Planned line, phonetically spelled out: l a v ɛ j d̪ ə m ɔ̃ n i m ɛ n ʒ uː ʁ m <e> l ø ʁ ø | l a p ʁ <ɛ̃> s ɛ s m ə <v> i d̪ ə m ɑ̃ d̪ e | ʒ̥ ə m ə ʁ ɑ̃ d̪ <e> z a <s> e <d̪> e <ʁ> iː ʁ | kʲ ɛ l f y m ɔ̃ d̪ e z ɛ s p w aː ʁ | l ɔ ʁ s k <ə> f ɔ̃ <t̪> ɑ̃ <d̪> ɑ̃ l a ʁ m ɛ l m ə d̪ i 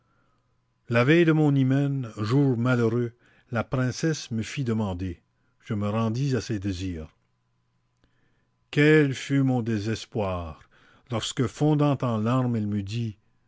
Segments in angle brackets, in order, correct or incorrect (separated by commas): incorrect, correct, incorrect, incorrect, correct, correct, incorrect, correct, incorrect, incorrect